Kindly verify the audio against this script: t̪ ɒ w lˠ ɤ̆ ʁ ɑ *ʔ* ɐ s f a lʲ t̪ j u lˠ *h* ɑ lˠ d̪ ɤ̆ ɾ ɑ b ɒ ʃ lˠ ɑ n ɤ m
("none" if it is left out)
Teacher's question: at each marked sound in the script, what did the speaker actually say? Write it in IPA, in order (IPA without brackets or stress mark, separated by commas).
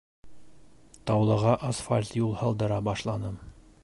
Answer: ʔ, h